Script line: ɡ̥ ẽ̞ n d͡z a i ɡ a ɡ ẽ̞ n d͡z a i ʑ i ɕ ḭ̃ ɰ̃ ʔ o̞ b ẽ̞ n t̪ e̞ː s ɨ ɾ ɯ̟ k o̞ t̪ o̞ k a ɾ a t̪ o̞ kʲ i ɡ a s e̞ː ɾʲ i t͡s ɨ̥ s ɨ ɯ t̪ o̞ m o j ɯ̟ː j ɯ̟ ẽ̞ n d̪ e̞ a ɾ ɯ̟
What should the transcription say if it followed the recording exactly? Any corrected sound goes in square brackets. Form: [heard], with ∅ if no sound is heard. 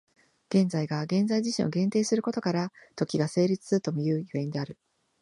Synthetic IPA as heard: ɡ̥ ẽ̞ n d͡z a i ɡ a ɡ ẽ̞ n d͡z a i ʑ i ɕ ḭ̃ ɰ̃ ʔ o̞ [ɡ] ẽ̞ n t̪ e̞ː s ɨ ɾ ɯ̟ k o̞ t̪ o̞ k a ɾ a t̪ o̞ kʲ i ɡ a s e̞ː ɾʲ i t͡s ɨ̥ s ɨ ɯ t̪ o̞ m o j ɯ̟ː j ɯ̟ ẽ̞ n d̪ e̞ a ɾ ɯ̟